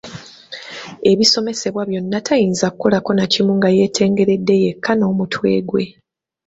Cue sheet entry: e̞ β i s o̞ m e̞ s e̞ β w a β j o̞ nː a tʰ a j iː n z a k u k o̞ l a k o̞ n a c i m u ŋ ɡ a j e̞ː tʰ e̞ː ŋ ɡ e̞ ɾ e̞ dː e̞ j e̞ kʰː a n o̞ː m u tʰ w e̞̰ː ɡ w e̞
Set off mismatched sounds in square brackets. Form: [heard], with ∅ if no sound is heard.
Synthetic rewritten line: e̞ β i s o̞ m e̞ s e̞ β w a β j o̞ nː a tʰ a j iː n z a k u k o̞ l a k o̞ n a c i m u ŋ ɡ a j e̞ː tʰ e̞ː ŋ ɡ e̞ ɾ e̞ dː e̞ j e̞ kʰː a n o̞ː m u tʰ w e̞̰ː ɡ w e̞